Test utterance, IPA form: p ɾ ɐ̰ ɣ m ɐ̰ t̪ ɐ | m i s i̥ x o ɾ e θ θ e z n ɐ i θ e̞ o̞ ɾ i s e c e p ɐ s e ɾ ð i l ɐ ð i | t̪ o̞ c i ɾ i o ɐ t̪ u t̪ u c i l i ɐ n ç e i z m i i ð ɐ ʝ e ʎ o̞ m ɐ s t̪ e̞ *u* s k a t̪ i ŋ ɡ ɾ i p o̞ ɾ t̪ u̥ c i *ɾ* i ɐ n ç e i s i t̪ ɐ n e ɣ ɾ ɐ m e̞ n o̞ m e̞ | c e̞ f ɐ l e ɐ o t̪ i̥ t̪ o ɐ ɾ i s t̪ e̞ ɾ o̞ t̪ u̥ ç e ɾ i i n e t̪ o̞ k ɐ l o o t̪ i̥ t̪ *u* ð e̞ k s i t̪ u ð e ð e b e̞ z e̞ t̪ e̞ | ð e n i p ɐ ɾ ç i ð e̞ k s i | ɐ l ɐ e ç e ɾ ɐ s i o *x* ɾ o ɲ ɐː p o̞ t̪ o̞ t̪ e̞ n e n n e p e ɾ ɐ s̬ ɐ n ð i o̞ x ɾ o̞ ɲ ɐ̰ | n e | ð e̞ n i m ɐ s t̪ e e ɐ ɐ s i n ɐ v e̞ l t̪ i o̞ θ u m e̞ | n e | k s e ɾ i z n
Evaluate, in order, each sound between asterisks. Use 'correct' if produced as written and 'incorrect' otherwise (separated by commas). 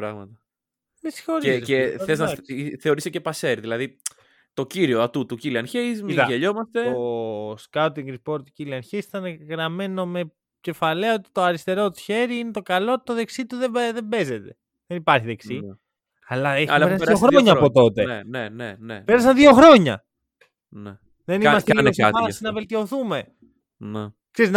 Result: incorrect, incorrect, incorrect, correct